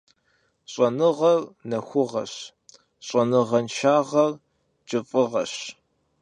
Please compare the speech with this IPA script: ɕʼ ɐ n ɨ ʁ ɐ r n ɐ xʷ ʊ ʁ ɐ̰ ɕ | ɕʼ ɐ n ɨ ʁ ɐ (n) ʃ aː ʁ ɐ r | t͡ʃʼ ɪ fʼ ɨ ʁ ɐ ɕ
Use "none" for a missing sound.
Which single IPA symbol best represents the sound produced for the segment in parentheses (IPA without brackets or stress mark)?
n